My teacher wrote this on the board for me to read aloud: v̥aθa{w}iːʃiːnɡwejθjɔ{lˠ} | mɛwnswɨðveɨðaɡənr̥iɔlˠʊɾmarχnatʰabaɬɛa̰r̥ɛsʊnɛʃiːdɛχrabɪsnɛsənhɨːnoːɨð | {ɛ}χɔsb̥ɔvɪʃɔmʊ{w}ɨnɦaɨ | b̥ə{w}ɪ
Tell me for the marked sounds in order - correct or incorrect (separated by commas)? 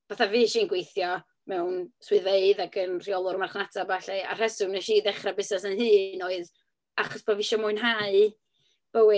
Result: incorrect, incorrect, incorrect, incorrect, correct